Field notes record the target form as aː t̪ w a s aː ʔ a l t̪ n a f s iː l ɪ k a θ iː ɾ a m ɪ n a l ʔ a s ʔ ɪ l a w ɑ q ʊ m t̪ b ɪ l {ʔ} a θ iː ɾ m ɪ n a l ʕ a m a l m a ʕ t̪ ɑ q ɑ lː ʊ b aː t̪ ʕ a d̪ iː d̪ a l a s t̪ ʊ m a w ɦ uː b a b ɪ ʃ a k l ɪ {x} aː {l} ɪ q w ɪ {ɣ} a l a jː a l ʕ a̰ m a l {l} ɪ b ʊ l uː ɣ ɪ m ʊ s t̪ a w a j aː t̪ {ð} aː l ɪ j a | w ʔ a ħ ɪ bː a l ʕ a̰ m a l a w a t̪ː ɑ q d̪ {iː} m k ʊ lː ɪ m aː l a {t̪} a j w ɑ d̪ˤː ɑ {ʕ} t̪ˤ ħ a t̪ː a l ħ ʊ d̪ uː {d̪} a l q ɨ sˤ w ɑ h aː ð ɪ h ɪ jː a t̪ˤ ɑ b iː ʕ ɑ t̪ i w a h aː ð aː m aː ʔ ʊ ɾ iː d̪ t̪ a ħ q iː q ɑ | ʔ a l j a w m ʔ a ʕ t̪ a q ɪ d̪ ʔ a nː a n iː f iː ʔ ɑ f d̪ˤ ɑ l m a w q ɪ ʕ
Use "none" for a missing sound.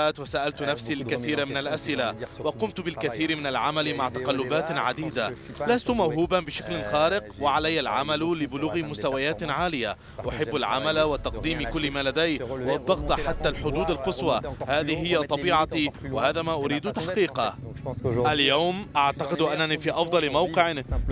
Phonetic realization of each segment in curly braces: k, x, ɾ, ʕ, l, ʕ, iː, d̪, ɣ, d̪

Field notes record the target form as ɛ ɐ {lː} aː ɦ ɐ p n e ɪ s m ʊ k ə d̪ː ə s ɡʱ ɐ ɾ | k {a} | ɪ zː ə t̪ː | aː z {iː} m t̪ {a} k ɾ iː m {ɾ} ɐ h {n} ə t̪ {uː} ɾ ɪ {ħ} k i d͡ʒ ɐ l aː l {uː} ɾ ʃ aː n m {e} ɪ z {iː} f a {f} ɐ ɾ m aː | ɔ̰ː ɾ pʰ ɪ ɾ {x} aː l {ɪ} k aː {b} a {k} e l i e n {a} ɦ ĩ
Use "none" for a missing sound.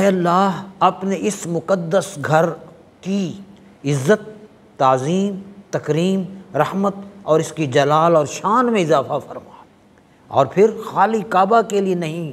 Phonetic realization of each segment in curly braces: lː, i, iː, ɐ, ɾ, m, ɔː, s, ɔː, ẽ, aː, f, x, i, b, k, ɐ

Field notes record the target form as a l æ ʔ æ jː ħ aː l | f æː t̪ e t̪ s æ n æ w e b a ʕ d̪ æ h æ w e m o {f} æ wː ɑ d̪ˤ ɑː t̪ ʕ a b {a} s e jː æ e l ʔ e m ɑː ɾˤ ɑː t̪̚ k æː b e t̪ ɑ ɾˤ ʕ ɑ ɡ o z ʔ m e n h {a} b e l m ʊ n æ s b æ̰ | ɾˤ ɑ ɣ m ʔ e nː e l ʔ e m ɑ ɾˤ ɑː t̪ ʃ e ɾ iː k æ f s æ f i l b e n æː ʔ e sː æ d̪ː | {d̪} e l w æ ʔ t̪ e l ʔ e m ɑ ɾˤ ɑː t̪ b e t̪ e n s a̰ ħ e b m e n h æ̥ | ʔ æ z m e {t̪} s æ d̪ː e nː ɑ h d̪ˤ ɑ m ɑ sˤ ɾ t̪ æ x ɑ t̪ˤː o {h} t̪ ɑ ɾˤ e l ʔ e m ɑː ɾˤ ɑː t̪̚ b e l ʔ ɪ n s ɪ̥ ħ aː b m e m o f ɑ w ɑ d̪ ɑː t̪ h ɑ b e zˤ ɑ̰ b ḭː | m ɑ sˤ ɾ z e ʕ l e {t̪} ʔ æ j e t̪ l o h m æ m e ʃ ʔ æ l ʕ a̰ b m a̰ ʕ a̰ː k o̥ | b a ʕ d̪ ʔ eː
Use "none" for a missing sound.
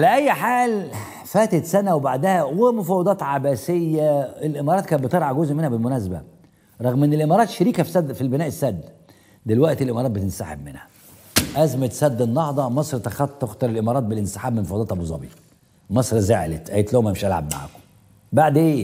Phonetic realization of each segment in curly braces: f, æ, æ, d̪, t̪, x, t̪

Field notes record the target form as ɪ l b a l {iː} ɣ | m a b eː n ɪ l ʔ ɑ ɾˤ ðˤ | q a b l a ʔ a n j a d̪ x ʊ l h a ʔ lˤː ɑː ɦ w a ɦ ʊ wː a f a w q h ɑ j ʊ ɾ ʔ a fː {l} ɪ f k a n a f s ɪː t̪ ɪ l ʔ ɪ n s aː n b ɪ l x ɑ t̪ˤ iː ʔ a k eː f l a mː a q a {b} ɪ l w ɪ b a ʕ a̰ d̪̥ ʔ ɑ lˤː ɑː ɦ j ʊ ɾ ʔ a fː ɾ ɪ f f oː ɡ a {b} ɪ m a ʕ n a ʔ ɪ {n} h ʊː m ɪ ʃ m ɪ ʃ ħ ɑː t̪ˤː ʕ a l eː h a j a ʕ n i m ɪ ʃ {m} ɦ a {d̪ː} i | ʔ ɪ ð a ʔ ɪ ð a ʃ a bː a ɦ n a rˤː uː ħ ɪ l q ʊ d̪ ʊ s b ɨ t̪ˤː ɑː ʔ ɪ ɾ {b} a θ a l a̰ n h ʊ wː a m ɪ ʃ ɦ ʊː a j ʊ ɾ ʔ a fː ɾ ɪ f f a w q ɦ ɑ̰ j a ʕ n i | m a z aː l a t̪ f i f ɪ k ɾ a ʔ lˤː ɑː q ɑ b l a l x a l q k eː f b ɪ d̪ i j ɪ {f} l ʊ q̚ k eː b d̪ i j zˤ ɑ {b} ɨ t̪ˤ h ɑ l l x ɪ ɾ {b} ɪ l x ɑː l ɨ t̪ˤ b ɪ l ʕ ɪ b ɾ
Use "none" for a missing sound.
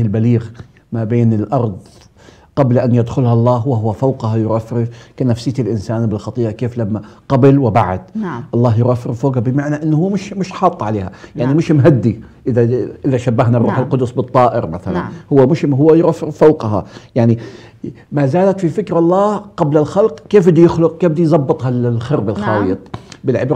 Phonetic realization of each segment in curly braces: iː, ɾ, b, b, nː, m, d̪ː, m, x, bː, b

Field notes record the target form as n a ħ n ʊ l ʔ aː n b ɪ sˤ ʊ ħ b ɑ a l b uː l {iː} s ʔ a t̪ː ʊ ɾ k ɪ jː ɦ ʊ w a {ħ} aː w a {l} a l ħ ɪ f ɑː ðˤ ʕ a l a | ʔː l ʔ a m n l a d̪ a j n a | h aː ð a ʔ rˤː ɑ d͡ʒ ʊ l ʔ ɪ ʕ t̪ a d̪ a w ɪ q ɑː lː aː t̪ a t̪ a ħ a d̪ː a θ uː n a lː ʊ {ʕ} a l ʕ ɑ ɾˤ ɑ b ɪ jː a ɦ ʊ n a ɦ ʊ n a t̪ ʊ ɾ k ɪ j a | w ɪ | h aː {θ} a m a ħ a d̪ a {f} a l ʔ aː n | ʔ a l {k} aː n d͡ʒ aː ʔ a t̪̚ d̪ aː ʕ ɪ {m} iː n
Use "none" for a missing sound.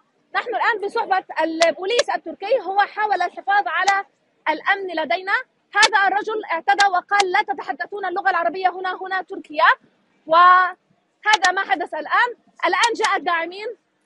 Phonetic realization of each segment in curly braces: iː, ħ, l, ɣ, ð, θ, ʔ, m

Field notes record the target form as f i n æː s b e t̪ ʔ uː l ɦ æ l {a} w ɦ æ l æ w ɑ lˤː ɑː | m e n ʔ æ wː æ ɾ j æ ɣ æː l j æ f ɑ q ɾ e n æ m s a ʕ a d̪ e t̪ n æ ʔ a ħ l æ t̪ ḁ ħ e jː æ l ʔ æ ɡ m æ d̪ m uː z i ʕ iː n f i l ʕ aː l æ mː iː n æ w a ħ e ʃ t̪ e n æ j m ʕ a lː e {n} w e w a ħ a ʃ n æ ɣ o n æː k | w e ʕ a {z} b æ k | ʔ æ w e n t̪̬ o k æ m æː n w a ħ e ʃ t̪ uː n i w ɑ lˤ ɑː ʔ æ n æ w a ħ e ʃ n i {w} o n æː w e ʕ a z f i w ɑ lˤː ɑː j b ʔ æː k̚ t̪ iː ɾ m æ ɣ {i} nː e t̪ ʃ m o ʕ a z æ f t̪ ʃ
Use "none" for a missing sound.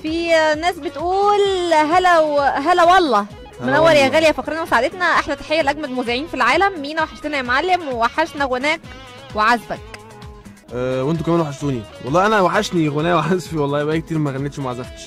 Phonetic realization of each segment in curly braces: æ, m, z, ɣ, æ

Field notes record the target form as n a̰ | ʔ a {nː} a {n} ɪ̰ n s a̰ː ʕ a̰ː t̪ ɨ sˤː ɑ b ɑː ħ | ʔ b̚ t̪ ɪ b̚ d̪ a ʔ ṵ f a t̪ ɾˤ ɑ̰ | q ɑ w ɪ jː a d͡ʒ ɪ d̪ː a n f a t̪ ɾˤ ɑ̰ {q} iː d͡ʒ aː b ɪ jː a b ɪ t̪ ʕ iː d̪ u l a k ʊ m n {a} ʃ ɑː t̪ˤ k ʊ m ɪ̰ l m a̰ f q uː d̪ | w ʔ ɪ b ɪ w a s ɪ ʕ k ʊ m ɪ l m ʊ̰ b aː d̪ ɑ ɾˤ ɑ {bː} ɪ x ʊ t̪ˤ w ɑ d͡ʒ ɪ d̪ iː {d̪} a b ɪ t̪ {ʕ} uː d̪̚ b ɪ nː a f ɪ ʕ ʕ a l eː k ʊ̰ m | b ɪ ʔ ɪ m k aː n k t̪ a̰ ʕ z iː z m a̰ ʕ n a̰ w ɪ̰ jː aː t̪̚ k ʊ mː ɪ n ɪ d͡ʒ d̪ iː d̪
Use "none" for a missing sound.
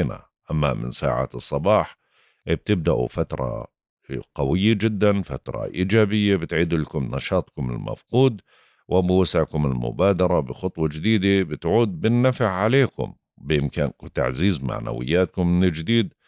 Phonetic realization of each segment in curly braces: mː, m, ʔ, ɑ, b, d̪, ʕ

